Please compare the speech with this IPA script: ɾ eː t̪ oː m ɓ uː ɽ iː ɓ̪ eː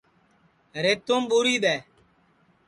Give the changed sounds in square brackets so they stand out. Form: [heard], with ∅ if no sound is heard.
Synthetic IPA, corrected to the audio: ɾ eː t̪ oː m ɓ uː [ɾ] iː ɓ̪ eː